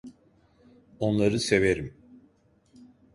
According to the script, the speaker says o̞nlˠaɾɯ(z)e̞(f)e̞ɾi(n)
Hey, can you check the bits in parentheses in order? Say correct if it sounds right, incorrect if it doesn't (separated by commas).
incorrect, incorrect, incorrect